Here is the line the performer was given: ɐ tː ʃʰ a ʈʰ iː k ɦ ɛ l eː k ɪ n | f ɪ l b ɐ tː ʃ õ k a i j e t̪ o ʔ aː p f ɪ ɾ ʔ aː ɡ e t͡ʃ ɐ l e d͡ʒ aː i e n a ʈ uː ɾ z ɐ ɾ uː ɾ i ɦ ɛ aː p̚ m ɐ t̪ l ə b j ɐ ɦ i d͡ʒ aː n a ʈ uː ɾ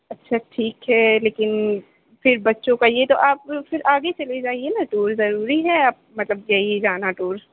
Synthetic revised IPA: ɐ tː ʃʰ a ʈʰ iː k ɦ ɛ l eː k ɪ n | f ɪ ɾ b ɐ tː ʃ õ k a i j e t̪ o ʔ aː p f ɪ ɾ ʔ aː ɡ e t͡ʃ ɐ l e d͡ʒ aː i e n a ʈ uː ɾ z ɐ ɾ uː ɾ i ɦ ɛ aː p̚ m ɐ t̪ l ə b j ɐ ɦ i d͡ʒ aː n a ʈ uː ɾ